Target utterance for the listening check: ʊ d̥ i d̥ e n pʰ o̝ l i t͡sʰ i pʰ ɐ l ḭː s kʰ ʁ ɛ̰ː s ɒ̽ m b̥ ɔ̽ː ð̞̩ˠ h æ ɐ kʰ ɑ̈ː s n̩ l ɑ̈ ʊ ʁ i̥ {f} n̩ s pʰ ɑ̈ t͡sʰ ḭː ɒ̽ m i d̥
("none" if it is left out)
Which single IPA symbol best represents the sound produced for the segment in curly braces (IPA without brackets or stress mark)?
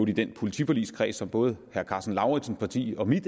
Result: s